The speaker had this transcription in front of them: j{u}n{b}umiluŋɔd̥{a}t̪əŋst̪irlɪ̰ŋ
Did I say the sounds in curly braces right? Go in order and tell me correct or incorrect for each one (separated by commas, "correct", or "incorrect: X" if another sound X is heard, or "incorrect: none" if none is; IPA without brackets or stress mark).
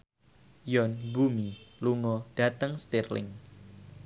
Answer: incorrect: ɔ, correct, correct